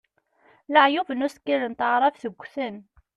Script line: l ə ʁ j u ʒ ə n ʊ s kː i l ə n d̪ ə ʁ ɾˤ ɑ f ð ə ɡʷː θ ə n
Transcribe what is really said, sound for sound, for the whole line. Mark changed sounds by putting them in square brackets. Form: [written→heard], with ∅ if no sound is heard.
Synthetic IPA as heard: l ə [ʁ→ʕ] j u [ʒ→v] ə n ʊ s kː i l ə n [d̪→t̪] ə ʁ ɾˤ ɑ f [ð→θ] ə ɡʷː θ ə n